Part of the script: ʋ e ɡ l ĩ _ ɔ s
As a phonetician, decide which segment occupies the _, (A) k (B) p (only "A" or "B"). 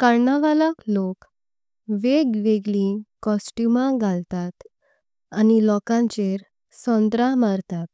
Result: A